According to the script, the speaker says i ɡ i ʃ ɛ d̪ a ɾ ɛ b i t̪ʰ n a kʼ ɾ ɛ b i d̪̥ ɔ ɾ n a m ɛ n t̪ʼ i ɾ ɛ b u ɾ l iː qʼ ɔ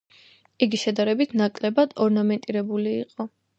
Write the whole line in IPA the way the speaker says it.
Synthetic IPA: i ɡ i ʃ ɛ d̪ a ɾ ɛ b i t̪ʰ n a kʼ l ɛ b a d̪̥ ɔ ɾ n a m ɛ n t̪ʼ i ɾ ɛ b u l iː qʼ ɔ